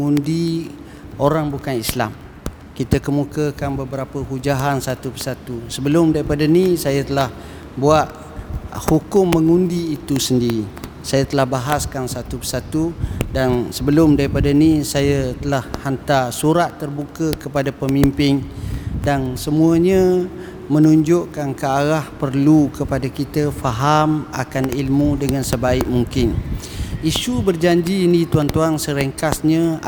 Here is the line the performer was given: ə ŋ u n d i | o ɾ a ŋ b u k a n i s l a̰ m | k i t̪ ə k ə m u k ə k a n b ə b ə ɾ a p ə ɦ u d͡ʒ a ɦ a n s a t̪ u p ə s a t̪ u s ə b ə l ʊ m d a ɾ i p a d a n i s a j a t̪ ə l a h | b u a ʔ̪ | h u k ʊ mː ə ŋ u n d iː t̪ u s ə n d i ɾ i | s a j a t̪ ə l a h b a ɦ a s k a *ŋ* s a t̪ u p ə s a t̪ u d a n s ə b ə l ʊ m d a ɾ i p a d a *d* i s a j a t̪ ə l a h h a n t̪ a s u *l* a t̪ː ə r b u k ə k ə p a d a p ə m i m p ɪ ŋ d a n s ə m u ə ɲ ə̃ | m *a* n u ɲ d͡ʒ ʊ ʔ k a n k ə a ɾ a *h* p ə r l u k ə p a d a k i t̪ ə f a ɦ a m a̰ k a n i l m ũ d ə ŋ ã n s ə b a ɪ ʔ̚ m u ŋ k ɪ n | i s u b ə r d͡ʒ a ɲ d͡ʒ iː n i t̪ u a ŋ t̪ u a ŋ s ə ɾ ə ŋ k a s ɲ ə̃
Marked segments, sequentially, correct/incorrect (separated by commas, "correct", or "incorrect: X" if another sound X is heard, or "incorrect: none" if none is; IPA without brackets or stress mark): incorrect: n, incorrect: n, incorrect: ɾ, incorrect: ə, correct